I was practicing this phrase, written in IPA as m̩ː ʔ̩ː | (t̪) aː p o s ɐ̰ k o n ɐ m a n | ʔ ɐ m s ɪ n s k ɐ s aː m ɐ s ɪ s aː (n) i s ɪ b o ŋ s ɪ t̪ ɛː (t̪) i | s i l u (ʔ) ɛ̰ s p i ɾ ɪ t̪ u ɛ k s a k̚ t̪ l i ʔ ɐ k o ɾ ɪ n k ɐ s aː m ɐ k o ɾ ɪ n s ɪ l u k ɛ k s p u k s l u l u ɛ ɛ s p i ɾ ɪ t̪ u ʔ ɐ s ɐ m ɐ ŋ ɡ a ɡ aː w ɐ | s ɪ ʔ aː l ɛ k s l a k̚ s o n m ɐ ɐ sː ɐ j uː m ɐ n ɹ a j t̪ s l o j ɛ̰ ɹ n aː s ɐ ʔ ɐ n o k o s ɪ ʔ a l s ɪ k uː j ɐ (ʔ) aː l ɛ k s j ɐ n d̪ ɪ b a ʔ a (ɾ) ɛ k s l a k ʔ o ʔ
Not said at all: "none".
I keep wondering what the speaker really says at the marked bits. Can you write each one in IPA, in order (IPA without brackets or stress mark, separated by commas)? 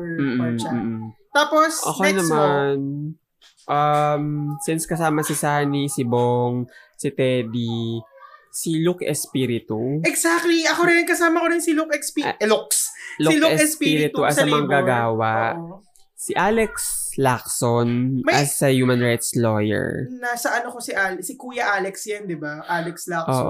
t̪, n, d̪, k, ʔ, l